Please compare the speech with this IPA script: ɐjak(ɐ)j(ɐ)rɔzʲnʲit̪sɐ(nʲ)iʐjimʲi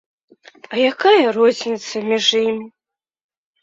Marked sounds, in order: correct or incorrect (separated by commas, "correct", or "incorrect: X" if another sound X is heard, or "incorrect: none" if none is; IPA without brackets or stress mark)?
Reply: incorrect: a, correct, incorrect: mʲ